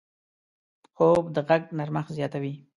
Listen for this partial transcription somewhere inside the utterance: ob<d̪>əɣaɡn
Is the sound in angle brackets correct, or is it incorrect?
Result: correct